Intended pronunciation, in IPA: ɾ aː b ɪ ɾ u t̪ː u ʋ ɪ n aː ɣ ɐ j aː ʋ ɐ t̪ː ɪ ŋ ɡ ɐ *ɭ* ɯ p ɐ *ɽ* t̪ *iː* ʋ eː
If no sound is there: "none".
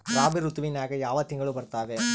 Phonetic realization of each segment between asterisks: ɭ, ɾ, aː

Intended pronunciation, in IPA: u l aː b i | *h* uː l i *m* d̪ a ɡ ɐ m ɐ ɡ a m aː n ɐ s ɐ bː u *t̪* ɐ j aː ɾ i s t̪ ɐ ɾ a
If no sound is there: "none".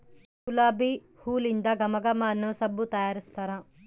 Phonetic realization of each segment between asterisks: h, n, t̪

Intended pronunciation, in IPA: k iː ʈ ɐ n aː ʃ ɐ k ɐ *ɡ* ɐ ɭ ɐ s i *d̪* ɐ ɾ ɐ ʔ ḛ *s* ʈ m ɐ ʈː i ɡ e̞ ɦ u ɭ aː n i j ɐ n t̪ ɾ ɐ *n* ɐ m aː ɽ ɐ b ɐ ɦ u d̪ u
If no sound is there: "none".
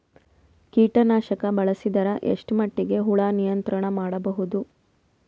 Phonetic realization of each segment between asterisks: b, d̪, ʂ, ɳ

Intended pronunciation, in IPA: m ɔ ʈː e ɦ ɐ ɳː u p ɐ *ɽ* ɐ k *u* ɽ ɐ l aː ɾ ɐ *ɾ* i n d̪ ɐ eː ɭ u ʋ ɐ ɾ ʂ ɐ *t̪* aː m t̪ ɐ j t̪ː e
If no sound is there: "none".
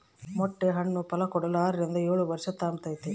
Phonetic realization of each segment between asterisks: l, ɔ, ɾ, t̪

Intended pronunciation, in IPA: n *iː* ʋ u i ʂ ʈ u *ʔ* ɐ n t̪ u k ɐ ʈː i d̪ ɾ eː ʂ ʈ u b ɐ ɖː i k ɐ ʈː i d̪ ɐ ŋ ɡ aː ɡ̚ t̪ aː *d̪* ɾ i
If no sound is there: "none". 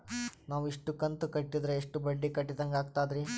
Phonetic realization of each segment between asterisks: aː, k, d̪

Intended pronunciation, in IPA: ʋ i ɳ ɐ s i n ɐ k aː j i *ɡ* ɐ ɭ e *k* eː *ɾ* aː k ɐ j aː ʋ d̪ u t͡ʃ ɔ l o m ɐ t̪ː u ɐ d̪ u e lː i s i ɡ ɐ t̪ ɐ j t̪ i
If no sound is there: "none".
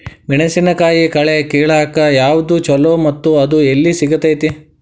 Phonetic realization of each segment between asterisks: k, k, ɭ

